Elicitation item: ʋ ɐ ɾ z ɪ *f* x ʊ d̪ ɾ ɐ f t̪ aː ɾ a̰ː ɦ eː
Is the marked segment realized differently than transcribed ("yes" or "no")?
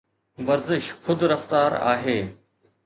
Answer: yes